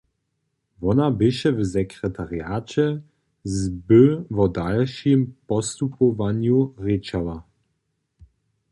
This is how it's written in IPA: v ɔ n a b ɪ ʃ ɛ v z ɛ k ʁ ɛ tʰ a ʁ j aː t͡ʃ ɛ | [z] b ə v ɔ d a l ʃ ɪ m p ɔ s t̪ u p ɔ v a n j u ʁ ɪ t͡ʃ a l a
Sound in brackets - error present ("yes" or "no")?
no